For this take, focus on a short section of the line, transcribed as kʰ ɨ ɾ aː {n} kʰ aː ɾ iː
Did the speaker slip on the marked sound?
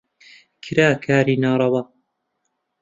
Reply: yes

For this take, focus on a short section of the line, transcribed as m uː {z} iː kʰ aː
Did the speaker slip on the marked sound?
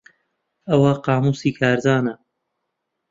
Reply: yes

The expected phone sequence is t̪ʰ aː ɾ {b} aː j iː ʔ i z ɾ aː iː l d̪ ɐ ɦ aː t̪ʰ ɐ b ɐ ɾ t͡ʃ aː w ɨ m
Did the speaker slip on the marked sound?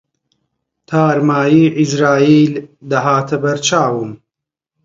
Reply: yes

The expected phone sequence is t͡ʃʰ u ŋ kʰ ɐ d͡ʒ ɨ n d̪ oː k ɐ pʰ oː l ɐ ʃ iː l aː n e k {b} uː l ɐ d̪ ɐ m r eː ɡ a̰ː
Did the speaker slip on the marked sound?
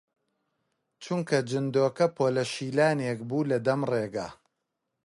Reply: no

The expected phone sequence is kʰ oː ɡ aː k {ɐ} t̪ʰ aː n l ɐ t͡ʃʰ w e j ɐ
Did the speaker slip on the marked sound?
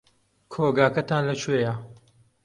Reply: no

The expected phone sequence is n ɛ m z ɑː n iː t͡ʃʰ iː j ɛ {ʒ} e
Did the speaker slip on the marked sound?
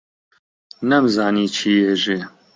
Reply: no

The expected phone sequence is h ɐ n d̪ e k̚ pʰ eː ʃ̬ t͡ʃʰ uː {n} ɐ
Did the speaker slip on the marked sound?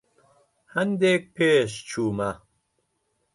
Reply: yes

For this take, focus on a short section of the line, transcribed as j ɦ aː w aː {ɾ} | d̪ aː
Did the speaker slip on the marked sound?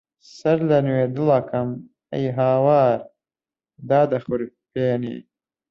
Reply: no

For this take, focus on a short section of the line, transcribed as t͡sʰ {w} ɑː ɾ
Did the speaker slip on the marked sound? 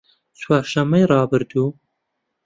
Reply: no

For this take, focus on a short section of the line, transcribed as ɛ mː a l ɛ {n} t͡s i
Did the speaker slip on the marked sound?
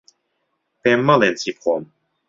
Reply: no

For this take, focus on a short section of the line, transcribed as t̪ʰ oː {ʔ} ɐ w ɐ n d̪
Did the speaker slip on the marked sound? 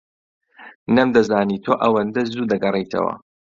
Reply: no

